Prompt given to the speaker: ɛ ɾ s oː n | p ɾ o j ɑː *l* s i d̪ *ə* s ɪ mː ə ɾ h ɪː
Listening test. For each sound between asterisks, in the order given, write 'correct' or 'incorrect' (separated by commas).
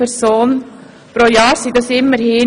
incorrect, incorrect